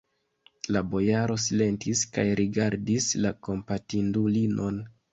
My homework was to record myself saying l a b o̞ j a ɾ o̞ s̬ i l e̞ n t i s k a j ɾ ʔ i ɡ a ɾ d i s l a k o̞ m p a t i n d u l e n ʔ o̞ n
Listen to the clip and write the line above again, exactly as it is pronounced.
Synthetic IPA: l a b o̞ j a ɾ o̞ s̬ i l e̞ n t i s k a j ɾ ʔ i ɡ a ɾ d i s l a k o̞ m p a t i n d u l i n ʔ o̞ n